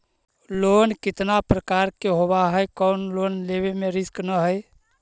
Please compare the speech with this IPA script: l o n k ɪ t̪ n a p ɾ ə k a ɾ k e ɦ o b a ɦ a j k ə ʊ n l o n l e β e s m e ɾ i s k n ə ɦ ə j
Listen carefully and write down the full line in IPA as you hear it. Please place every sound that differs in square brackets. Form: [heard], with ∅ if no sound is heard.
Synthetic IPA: l o n k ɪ t̪ n a p ɾ ə k a ɾ k e ɦ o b a ɦ [ə] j k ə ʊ n l o n l e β e [∅] m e ɾ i s k n ə ɦ ə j